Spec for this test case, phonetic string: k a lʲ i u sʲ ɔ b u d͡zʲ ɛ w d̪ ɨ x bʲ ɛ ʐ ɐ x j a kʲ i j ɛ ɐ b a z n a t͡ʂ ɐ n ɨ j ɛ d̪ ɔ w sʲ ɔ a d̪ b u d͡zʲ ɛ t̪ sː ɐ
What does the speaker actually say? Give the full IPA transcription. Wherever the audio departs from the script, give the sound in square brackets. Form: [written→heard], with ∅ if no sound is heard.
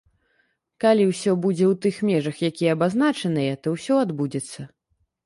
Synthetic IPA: k a lʲ i [u→w] sʲ ɔ b u d͡zʲ ɛ w [d̪→t̪] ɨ x [bʲ→mʲ] ɛ ʐ ɐ x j a kʲ i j ɛ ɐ b a z n a t͡ʂ ɐ n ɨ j ɛ [d̪→t̪] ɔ w sʲ ɔ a d̪ b u d͡zʲ ɛ t̪ sː ɐ